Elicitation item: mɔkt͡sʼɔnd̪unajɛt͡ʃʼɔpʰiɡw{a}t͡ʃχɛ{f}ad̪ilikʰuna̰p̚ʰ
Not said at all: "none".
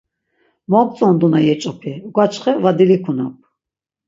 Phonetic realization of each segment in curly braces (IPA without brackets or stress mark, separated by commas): a, v